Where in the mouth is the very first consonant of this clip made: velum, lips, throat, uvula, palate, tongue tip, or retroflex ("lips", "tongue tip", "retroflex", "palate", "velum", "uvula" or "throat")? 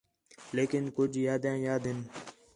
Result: tongue tip